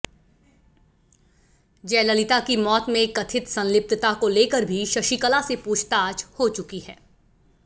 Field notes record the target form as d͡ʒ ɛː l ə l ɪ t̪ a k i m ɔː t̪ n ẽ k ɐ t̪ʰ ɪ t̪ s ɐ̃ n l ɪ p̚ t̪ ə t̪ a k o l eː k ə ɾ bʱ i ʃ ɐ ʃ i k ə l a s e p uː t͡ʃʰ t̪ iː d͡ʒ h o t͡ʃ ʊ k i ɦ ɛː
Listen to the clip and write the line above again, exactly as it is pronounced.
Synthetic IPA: d͡ʒ ɛː l ə l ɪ t̪ a k i m ɔː t̪ m ẽ k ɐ t̪ʰ ɪ t̪ s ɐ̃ n l ɪ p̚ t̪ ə t̪ a k o l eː k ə ɾ bʱ i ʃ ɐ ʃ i k ə l a s e p uː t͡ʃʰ t̪ aː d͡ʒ h o t͡ʃ ʊ k i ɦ ɛː